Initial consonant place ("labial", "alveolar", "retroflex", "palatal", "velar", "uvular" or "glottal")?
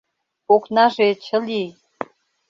velar